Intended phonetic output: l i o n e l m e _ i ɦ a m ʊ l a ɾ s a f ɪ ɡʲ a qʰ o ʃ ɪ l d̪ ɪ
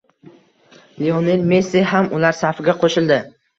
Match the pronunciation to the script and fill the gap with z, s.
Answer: s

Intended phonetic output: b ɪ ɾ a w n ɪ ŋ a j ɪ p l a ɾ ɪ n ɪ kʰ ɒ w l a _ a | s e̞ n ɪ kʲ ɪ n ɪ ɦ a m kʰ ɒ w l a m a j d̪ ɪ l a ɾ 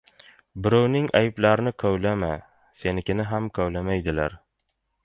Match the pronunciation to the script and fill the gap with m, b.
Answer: m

